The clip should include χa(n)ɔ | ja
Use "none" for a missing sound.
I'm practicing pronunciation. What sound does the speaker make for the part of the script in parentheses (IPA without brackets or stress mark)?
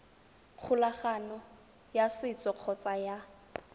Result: n